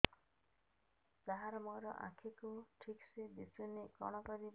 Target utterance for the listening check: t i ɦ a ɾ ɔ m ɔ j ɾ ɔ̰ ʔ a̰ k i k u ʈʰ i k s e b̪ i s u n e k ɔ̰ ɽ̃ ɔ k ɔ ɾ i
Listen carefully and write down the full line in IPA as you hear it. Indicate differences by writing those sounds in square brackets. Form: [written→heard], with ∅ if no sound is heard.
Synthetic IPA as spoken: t [i→a] ɦ a ɾ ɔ m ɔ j ɾ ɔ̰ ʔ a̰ [k→kʰ] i k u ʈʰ i k s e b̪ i s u n e k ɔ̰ ɽ̃ ɔ k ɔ ɾ i